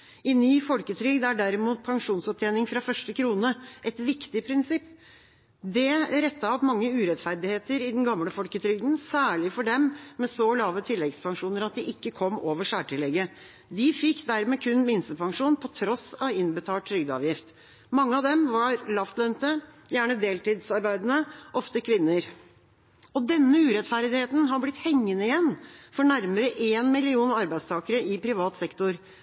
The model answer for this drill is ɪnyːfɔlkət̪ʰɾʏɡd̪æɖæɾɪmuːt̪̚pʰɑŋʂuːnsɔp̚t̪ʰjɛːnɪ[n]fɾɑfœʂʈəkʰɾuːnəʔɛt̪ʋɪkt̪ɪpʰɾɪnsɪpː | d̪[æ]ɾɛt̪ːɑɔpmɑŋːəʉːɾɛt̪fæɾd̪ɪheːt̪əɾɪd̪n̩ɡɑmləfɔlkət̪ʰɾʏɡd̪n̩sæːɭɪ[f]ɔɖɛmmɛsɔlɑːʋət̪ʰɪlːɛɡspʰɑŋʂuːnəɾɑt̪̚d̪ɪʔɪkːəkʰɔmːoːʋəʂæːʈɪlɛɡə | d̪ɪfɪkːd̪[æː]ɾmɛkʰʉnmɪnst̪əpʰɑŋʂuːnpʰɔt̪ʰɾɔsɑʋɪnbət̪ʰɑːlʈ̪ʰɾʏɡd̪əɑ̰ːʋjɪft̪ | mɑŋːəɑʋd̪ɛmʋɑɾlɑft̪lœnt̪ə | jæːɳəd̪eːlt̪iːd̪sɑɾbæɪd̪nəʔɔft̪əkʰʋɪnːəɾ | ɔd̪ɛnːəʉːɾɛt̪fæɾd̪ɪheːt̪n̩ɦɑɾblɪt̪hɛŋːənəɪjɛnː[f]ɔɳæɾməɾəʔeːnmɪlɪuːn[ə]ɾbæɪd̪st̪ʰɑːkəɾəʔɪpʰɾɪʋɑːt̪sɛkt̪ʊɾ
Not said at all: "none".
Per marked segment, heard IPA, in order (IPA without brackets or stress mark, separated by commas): ŋ, ɛ, f, æ, f, ɑ